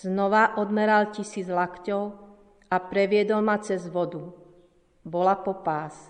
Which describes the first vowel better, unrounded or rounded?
rounded